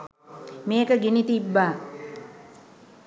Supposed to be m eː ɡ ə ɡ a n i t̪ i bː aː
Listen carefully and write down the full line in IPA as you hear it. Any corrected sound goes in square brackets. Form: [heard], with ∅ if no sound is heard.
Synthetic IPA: m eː [k] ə ɡ [i] n i t̪ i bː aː